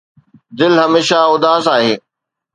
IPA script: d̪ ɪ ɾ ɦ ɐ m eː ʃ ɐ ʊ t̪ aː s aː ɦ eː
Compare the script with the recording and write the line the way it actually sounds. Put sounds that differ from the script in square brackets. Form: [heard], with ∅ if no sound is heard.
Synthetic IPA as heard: d̪ ɪ [l] ɦ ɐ m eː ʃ [a] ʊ [d̪] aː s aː ɦ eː

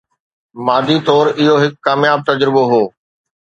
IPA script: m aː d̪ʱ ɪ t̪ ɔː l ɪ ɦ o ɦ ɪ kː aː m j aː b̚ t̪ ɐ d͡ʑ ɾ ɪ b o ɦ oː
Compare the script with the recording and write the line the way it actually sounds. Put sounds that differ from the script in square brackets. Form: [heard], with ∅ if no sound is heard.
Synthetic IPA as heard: m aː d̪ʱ [i] t̪ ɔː [ɾ] ɪ ɦ o ɦ ɪ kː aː m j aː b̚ t̪ ɐ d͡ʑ ɾ ɪ b o ɦ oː

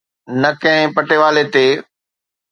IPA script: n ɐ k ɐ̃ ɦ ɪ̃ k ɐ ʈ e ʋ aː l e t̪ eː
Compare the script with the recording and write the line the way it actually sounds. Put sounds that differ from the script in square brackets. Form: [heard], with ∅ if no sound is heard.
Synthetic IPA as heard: n ɐ k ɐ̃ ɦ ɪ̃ [p] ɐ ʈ e ʋ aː l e t̪ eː

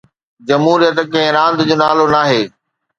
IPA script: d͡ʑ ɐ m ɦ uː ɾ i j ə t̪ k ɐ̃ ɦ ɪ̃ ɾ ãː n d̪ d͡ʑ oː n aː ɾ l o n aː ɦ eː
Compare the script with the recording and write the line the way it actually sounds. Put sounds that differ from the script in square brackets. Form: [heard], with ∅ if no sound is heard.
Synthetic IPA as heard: d͡ʑ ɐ m ɦ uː ɾ i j ə t̪ k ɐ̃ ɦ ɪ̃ ɾ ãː n d̪ d͡ʑ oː n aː [∅] l o n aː ɦ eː

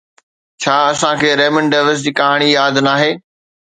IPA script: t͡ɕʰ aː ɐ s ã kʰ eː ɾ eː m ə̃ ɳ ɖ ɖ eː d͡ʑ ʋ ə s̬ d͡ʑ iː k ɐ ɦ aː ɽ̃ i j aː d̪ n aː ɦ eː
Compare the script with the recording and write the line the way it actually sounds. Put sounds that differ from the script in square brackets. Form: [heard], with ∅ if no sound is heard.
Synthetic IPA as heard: t͡ɕʰ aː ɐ s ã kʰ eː ɾ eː m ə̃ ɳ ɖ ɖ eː [∅] ʋ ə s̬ d͡ʑ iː k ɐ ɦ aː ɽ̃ i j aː d̪ n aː ɦ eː

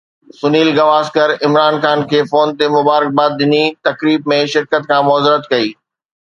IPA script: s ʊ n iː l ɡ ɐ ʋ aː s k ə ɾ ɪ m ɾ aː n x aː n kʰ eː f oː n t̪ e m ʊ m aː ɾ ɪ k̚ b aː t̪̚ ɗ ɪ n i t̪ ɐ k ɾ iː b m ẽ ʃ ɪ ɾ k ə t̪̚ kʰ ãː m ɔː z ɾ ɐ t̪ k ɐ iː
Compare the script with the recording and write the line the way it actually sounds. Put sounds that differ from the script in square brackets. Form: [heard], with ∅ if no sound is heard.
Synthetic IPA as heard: s ʊ n iː l ɡ ɐ ʋ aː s k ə ɾ ɪ m ɾ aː n x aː n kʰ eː f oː n t̪ e m ʊ [b] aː ɾ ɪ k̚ b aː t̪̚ ɗ ɪ n i t̪ ɐ k ɾ iː b m ẽ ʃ ɪ ɾ k ə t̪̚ kʰ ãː m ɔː z ɾ [ə] t̪ k ɐ iː

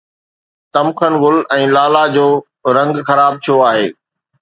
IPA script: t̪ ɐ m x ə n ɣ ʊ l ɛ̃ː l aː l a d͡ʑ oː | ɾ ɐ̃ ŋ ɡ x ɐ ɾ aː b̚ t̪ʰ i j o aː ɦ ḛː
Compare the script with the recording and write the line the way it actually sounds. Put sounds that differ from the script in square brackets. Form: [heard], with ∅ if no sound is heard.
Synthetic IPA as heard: t̪ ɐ m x ə n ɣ ʊ l ɛ̃ː l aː l a d͡ʑ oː | ɾ ɐ̃ ŋ ɡ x ɐ ɾ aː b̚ t̪ʰ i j o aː ɦ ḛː

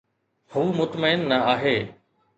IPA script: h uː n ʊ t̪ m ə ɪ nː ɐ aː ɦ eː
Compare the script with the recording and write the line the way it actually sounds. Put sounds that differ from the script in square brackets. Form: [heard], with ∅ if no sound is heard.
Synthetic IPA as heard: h uː [m] ʊ t̪ m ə ɪ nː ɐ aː ɦ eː

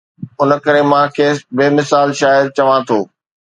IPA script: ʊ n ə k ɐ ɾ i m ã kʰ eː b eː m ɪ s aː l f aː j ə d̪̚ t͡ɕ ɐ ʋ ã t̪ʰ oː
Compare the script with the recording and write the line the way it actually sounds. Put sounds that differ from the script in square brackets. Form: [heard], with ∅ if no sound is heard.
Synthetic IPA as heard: ʊ n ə k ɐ ɾ [e] m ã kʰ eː b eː m ɪ s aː l [ʃ] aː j ə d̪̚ t͡ɕ ɐ ʋ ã t̪ʰ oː

